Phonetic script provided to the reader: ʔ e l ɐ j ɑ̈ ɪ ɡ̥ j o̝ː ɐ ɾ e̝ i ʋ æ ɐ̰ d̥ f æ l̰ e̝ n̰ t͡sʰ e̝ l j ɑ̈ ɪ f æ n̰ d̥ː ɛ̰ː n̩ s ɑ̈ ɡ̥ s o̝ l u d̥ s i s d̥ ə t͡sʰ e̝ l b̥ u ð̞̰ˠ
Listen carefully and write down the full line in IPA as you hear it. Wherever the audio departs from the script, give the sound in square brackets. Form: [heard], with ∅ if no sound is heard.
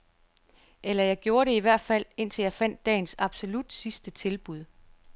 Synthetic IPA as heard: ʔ e l ɐ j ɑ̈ ɪ ɡ̥ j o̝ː ɐ ɾ e̝ i ʋ æ ɐ̰ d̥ f æ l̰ e̝ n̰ t͡sʰ e̝ l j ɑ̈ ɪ f æ n̰ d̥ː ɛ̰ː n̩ s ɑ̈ [b̥] s o̝ l u d̥ s i s d̥ ə t͡sʰ e̝ l b̥ u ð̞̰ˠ

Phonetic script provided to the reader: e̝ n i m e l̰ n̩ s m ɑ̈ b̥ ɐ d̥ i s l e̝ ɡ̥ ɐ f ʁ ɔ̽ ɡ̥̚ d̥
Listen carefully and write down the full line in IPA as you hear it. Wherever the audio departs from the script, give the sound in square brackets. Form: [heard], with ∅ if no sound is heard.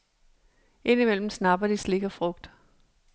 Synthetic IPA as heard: e̝ n i m e l̰ [m̩] s [n] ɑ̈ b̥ ɐ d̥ i s l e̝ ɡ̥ ɐ f ʁ ɔ̽ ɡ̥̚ d̥

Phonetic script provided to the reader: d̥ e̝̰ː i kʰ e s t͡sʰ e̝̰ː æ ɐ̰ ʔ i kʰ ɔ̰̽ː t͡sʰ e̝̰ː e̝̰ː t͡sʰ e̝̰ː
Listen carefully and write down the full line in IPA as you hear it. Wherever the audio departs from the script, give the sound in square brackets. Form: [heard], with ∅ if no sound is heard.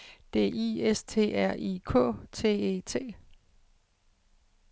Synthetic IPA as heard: d̥ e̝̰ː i [∅] e s t͡sʰ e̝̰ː æ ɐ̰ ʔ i kʰ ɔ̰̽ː t͡sʰ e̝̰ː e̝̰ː t͡sʰ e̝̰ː

